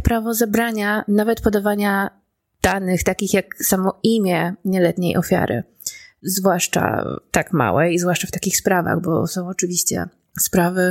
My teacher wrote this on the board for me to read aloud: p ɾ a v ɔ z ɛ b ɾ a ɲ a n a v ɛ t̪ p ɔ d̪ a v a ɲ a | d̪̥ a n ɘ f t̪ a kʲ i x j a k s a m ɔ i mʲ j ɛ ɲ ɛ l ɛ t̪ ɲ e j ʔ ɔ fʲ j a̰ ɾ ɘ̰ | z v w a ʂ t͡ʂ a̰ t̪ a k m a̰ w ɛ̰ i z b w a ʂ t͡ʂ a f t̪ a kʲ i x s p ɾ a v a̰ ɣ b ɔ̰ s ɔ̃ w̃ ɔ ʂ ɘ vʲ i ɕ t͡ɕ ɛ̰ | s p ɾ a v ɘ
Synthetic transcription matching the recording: p ɾ a v ɔ z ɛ b ɾ a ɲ a n a v ɛ t̪ p ɔ d̪ a v a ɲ a | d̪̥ a n ɘ x t̪ a kʲ i x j a k s a m ɔ i mʲ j ɛ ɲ ɛ l ɛ t̪ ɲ e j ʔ ɔ fʲ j a̰ ɾ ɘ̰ | z v w a ʂ t͡ʂ a̰ t̪ a k m a̰ w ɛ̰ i z v w a ʂ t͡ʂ a f t̪ a kʲ i x s p ɾ a v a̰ ɣ b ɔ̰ s ɔ̃ w̃ ɔ t͡ʂ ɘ vʲ i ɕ t͡ɕ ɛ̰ | s p ɾ a v ɘ